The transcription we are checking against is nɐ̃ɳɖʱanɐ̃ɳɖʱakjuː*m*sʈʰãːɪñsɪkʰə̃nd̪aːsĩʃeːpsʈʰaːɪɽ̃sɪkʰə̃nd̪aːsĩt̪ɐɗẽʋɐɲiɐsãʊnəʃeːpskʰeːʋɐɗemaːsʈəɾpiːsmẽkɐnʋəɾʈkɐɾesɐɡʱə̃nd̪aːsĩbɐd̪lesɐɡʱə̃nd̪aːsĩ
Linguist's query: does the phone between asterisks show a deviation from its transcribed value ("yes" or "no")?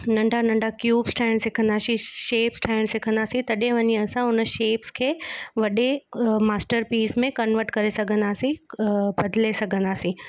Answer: yes